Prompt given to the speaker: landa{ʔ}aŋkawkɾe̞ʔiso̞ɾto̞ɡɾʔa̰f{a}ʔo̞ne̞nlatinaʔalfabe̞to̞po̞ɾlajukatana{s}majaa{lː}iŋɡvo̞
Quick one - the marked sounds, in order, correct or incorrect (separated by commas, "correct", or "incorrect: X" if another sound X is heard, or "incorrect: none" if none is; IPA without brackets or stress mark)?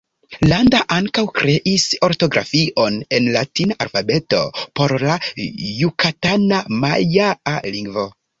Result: correct, incorrect: i, incorrect: none, incorrect: l